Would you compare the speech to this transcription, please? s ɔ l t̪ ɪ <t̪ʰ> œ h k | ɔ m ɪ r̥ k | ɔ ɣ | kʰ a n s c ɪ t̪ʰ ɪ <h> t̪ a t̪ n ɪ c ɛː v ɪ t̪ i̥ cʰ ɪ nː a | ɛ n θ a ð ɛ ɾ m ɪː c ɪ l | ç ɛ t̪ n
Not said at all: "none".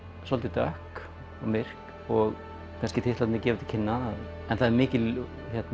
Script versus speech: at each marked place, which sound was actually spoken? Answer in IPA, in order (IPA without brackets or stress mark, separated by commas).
t̪, h